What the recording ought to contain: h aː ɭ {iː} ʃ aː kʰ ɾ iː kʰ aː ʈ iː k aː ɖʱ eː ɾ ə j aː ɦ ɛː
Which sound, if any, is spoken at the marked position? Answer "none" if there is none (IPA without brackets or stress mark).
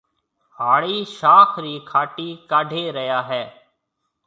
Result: iː